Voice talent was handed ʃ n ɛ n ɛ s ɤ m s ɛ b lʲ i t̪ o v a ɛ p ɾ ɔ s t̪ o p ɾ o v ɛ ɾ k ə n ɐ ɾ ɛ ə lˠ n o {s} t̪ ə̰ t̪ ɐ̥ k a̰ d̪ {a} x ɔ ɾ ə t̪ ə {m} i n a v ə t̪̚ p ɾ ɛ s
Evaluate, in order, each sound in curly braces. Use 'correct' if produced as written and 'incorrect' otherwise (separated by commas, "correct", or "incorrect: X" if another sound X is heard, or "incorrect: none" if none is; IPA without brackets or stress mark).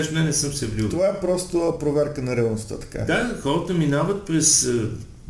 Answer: correct, correct, correct